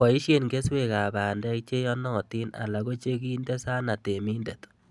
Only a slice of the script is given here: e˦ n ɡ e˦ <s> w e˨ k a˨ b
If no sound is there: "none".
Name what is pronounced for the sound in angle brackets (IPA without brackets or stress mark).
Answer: s